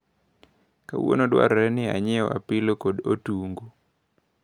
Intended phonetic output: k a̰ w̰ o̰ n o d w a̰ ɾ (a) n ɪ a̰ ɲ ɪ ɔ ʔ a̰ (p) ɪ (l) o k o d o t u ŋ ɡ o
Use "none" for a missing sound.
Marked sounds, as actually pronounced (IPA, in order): ɛ, p, l

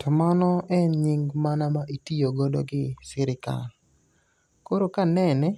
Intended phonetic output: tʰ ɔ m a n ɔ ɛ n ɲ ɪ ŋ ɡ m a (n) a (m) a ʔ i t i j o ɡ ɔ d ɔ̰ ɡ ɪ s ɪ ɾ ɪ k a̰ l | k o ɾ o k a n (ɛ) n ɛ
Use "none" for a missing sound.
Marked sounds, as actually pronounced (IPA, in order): n, m, ɛ

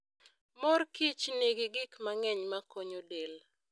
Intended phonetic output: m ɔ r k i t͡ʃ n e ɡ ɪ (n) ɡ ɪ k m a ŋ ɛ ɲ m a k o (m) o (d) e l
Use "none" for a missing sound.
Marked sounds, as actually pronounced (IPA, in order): none, ɲ, d

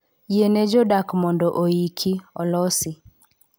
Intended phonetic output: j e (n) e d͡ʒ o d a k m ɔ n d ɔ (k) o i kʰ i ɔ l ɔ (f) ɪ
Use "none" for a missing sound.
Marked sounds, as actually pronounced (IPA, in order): n, ʔ, s

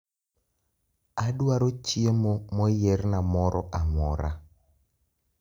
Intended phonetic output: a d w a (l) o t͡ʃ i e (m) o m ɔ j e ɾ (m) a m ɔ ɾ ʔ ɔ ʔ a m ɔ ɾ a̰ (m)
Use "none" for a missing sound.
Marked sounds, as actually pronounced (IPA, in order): ɾ, m, n, none

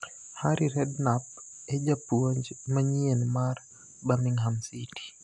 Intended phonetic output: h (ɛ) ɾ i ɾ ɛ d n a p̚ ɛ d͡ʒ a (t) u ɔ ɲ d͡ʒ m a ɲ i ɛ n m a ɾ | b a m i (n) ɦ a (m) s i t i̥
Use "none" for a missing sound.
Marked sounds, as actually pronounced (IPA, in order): a, p, ŋ, m

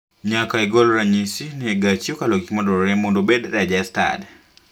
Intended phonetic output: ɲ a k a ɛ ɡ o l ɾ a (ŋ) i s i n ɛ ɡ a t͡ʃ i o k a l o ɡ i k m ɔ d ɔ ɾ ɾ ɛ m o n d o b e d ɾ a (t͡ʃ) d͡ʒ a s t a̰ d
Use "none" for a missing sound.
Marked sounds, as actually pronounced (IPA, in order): ɲ, none

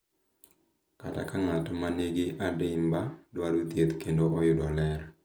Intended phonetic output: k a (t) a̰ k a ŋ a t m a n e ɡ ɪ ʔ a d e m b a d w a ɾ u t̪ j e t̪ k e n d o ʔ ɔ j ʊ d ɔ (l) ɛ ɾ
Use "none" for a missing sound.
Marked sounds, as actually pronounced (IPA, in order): t, l

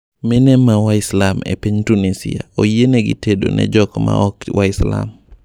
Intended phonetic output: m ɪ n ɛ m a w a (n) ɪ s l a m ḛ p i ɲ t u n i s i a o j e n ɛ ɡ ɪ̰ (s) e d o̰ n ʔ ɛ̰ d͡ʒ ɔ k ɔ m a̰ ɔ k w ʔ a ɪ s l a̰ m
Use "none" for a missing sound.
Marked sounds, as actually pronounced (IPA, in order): none, t

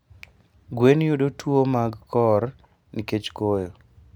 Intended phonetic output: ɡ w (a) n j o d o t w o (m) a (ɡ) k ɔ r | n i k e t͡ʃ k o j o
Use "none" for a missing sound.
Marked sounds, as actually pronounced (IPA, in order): e, m, ɡ

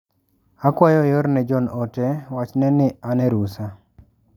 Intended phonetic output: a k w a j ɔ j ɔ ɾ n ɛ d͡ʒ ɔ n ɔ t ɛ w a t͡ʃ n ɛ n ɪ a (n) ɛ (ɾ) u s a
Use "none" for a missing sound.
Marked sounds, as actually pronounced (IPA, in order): n, ɾ

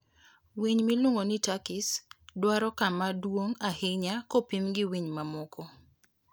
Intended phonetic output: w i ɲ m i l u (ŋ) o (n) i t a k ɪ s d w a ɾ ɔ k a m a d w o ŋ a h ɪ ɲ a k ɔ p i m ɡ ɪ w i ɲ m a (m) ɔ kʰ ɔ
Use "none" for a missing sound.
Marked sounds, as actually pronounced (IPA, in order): ŋ, n, m

